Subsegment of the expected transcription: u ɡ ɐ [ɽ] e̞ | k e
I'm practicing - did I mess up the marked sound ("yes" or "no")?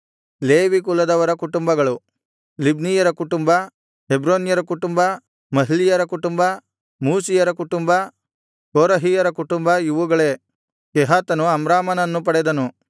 yes